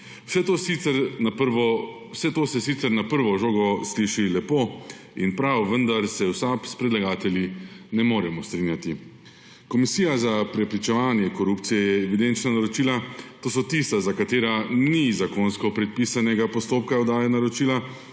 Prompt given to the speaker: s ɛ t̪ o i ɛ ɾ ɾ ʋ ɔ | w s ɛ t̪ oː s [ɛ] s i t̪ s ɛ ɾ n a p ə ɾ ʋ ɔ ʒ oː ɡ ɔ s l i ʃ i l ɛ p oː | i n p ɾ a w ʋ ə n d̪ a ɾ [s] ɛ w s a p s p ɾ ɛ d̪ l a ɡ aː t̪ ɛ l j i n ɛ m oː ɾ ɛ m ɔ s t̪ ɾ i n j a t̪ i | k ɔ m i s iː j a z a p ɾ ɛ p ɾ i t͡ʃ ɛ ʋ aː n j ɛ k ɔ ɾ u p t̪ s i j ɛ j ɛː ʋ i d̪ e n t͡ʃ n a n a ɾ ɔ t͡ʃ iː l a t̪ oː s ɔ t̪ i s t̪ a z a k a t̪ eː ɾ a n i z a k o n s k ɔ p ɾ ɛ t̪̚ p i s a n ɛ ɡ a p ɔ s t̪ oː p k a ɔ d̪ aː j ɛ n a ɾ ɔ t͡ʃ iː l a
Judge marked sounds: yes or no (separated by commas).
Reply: yes, yes